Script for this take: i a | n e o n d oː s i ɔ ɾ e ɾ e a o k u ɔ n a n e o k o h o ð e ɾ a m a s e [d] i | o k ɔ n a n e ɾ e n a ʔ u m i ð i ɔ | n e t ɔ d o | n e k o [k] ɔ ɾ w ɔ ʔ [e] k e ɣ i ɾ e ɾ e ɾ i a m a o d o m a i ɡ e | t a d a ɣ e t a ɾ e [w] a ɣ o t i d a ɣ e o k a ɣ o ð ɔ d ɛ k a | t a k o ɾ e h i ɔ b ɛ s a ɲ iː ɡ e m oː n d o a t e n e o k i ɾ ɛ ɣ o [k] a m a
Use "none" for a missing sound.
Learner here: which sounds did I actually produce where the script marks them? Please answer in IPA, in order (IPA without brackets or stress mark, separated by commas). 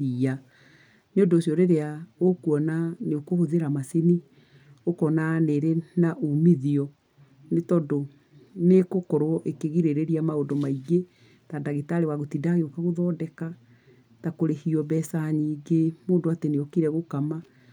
n, k, e, w, k